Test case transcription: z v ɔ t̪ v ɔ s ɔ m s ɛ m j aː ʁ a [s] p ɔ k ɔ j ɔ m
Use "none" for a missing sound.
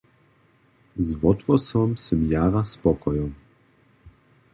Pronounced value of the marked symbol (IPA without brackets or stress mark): s